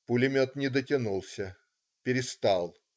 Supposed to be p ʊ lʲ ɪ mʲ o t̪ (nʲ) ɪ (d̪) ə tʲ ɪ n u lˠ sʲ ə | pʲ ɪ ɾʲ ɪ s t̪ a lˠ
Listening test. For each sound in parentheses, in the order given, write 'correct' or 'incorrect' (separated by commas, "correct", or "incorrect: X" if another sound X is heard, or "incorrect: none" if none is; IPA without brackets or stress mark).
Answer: correct, correct